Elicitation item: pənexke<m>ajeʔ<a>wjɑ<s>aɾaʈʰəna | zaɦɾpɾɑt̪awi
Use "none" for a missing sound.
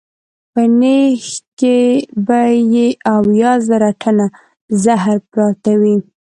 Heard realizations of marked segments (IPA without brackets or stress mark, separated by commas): b, a, z